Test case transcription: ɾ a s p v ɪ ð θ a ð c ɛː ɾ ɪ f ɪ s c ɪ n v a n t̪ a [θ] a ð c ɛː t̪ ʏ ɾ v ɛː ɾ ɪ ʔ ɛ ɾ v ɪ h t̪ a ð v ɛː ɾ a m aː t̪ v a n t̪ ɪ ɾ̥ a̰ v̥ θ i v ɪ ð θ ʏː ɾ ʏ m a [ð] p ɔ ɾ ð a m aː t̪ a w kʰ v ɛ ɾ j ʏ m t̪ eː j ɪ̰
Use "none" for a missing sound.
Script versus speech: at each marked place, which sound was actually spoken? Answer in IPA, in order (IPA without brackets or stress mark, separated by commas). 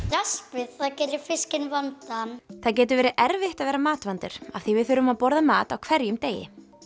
θ, ð